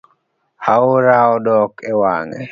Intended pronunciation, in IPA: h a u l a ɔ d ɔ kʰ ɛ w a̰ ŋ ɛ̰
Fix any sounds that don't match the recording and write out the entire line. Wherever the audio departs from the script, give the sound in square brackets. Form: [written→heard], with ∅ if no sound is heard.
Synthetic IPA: h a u [l→ɾ] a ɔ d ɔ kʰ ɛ w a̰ ŋ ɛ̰